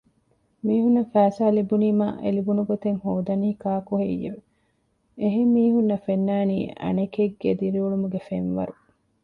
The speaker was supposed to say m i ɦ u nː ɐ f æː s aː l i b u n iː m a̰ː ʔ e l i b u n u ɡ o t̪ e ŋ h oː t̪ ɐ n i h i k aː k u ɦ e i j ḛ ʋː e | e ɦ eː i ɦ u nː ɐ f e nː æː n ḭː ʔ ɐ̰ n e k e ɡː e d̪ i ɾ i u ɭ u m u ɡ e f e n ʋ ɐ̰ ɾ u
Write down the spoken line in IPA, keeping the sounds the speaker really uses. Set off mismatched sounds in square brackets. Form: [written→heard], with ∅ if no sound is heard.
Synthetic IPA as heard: m [i→iː] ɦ u nː ɐ f æː s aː l i b u n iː m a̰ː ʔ e l i b u n u ɡ o t̪ e ŋ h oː [t̪→d̪] ɐ n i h i k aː k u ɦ e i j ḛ [ʋː→ʋ] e | e ɦ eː [i→iː] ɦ u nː ɐ f e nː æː n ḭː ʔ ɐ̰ n e k e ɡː e d̪ i ɾ i u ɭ u m u ɡ e f e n ʋ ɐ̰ ɾ u

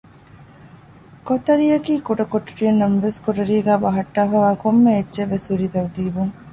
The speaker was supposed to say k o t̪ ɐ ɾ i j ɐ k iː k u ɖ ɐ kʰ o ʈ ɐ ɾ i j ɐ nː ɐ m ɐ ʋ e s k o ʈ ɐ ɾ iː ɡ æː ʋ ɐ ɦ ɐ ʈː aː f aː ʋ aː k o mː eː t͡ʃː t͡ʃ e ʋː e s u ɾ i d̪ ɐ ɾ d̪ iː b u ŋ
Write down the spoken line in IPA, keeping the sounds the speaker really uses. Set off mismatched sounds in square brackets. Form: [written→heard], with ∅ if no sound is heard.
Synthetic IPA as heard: k o t̪ ɐ ɾ i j ɐ k iː k u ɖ ɐ [kʰ→k] o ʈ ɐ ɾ i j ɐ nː ɐ m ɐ ʋ e s k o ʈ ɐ ɾ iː ɡ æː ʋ ɐ ɦ ɐ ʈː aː f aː ʋ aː k o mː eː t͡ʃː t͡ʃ e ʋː e s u ɾ i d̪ ɐ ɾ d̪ iː b u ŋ

